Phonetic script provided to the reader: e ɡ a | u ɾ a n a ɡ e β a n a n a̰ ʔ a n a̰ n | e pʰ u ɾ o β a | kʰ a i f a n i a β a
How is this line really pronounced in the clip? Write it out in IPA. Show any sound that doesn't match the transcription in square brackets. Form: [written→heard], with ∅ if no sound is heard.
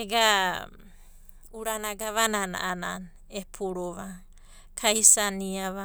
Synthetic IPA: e ɡ a | u ɾ a n a ɡ [e→a] β a n a n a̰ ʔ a n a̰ n | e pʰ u ɾ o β a | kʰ a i [f→s] a n i a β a